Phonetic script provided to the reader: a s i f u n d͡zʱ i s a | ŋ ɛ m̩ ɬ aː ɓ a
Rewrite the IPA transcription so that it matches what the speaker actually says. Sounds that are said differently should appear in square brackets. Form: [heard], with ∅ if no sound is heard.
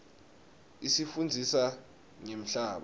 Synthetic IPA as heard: [i] s i f u n d͡zʱ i s a | ŋ [e] m̩ ɬ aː ɓ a